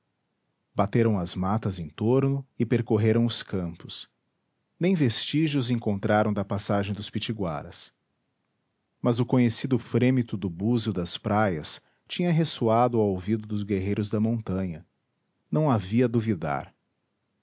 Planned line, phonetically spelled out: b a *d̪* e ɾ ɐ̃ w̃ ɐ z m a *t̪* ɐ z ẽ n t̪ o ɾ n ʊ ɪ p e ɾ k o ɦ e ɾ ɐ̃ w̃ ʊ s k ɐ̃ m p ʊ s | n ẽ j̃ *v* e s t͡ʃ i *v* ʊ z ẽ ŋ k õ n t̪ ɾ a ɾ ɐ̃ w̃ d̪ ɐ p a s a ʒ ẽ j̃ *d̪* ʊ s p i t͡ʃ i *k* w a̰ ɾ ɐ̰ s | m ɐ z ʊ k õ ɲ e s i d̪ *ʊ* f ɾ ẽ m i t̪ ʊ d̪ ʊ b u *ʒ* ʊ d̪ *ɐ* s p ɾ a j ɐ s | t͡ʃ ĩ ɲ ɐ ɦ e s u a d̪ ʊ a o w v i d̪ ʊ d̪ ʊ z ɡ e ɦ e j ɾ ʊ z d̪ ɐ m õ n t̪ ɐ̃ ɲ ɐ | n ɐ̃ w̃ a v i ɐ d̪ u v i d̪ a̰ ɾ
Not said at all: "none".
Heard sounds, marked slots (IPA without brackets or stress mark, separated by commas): t̪, t̪, v, ʒ, d̪, ɡ, ʊ, z, ɐ